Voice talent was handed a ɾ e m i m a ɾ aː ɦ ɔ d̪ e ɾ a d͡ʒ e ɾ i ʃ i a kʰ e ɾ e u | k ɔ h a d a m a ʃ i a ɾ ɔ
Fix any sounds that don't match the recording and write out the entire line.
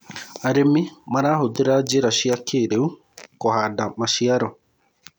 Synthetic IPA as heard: a ɾ e m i m a ɾ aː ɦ o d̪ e ɾ a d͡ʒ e ɾ a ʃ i a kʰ e ɾ e u | k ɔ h a d a m a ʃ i a ɾ ɔ